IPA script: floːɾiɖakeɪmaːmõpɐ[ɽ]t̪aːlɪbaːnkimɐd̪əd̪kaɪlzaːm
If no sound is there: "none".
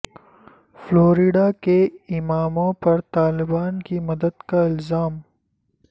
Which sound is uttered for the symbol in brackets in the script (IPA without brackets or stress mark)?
ɾ